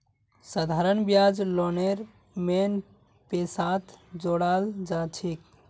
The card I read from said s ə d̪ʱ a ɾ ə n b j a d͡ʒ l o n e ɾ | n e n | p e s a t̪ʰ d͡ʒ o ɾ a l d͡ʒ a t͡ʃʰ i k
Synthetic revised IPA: s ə d̪ʱ a ɾ ə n b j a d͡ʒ l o n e ɾ | m e n | p e s a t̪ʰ d͡ʒ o ɽ a l d͡ʒ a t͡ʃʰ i k